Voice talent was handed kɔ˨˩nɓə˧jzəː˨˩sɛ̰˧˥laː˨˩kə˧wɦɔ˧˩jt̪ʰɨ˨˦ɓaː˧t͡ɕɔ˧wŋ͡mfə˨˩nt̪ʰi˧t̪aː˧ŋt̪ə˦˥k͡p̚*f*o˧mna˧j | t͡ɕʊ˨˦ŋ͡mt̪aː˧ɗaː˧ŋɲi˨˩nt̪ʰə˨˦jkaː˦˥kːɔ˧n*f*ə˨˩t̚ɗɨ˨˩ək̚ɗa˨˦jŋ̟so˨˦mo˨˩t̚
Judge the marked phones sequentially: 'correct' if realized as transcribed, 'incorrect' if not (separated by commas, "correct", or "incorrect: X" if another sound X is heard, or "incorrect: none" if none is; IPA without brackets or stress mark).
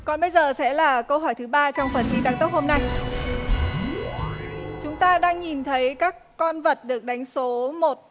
incorrect: h, incorrect: v